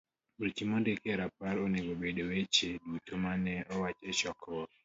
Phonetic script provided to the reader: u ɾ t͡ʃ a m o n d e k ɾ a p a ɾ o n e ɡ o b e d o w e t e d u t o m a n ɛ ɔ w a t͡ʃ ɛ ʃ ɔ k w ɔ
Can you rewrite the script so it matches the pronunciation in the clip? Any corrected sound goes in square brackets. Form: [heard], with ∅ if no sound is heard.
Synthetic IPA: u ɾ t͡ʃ [i] m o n d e k ɾ a p a ɾ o n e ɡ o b e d o w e [t͡ʃ] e d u t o m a n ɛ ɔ w a t͡ʃ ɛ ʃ ɔ k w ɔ